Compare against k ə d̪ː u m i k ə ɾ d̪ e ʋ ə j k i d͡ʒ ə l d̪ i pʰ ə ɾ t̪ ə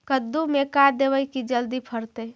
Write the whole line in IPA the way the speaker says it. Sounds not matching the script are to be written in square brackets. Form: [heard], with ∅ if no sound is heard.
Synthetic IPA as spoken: k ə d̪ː u m [e] k [a] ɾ d̪ e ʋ ə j k i d͡ʒ ə l d̪ i pʰ ə ɾ t̪ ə